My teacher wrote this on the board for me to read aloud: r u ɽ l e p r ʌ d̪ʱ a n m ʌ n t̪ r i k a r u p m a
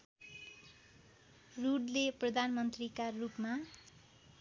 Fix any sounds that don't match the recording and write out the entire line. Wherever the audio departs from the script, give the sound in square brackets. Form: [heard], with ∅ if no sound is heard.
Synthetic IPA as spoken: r u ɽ l e p r ʌ d̪ʱ a n m ʌ n t̪ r i k a r u p m a